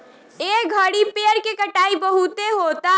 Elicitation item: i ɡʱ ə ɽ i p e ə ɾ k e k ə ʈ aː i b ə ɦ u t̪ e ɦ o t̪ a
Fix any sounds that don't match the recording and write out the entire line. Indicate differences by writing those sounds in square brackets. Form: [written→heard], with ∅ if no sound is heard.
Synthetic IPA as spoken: [i→e] ɡʱ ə ɽ i p e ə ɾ k e k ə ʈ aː i b ə ɦ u t̪ e ɦ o t̪ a